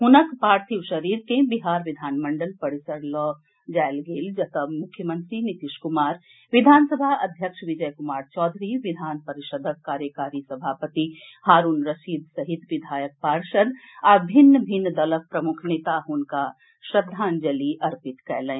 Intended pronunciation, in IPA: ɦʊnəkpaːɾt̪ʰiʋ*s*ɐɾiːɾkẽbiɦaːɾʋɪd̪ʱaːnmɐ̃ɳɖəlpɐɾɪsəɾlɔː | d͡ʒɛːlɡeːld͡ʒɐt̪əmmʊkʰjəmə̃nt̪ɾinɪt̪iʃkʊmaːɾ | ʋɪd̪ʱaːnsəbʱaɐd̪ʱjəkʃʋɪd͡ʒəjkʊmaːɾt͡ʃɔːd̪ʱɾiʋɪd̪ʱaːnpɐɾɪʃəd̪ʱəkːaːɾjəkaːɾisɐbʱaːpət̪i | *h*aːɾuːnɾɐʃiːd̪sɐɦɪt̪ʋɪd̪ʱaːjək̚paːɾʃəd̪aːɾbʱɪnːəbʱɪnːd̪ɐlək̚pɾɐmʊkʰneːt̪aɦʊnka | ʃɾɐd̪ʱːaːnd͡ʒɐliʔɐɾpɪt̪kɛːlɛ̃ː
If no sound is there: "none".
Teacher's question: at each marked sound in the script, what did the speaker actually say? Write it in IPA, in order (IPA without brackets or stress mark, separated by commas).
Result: ʃ, h